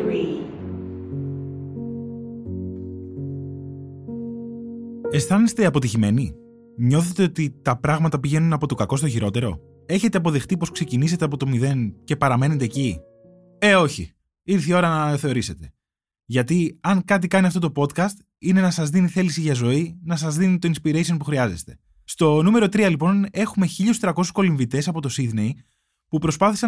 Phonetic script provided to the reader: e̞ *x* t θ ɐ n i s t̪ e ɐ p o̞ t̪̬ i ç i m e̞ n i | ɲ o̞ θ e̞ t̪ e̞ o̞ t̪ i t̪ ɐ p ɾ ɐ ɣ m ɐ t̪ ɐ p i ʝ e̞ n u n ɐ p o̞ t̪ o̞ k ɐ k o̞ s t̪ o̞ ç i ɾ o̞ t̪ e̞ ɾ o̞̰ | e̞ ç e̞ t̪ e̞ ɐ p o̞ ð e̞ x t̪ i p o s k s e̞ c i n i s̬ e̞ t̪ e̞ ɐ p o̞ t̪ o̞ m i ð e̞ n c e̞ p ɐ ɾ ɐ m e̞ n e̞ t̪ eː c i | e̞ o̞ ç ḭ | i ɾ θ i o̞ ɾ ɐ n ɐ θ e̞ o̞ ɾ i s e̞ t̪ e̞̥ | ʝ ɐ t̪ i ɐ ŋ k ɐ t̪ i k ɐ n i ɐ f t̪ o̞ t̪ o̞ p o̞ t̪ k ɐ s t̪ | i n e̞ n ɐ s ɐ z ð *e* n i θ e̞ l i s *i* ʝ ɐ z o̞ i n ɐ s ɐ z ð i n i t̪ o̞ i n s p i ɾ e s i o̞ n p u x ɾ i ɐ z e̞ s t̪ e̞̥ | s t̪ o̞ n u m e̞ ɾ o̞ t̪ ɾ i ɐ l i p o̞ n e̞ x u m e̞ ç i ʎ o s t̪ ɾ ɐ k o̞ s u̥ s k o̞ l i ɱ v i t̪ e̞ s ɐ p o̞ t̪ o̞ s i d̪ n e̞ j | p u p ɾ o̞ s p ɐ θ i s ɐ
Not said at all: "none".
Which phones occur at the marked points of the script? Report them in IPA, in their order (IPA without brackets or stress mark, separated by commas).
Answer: s, i, i